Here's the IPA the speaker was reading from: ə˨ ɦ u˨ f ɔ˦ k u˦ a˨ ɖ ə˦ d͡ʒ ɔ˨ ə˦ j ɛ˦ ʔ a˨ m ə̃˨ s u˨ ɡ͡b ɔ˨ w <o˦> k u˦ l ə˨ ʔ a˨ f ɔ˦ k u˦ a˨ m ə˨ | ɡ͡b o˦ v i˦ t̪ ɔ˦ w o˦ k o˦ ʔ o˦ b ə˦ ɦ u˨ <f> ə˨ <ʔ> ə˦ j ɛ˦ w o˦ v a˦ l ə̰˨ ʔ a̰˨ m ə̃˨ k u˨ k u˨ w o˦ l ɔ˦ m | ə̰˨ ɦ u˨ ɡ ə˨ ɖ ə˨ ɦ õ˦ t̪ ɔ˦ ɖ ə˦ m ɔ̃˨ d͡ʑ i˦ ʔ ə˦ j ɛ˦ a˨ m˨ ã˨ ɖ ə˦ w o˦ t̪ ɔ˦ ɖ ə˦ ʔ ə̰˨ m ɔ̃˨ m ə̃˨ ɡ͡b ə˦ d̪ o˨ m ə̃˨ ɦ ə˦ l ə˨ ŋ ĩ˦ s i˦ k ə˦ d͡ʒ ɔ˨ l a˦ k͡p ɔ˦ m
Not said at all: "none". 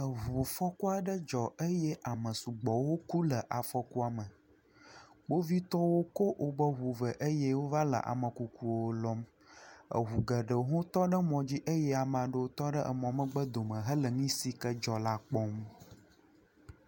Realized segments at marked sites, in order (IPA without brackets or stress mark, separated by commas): o˦, v, ʔ